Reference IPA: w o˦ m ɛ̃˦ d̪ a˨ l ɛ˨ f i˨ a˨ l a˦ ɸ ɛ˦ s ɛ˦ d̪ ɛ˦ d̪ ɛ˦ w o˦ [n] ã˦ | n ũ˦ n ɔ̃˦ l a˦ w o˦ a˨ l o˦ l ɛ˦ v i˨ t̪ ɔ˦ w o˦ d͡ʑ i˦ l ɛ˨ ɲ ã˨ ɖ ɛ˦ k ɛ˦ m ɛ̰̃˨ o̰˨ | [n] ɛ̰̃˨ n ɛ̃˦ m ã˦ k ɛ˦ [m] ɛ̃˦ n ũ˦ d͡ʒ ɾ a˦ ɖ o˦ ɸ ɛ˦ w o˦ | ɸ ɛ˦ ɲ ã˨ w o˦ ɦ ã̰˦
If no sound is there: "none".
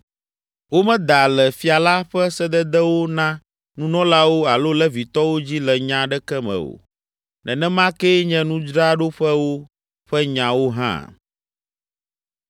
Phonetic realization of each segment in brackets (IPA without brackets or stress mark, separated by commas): n, n, ɲ